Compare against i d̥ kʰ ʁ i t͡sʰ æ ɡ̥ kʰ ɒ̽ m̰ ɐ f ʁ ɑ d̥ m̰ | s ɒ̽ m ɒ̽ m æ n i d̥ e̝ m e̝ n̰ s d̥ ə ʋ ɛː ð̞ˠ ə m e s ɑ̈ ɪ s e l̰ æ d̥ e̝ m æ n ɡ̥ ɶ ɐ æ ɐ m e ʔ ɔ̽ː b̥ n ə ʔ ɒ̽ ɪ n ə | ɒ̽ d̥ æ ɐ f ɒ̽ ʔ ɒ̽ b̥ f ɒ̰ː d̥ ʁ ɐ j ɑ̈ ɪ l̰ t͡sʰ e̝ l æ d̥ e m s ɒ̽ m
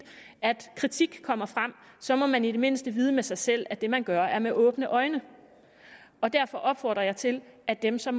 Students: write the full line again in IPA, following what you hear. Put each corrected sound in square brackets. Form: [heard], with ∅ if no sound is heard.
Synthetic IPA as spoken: [æ] d̥ kʰ ʁ i t͡sʰ [i] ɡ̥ kʰ ɒ̽ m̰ ɐ f ʁ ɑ [∅] m̰ | s ɒ̽ m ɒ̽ m æ n i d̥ e̝ m e̝ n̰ s d̥ ə ʋ [iː] ð̞ˠ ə m e s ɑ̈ ɪ s e l̰ æ d̥ e̝ m æ n ɡ̥ ɶ ɐ æ ɐ m e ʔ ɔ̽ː b̥ n ə ʔ ɒ̽ ɪ n ə | ɒ̽ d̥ æ ɐ f ɒ̽ ʔ ɒ̽ b̥ f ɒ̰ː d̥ ʁ ɐ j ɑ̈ ɪ [∅] t͡sʰ e̝ l æ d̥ e m s ɒ̽ m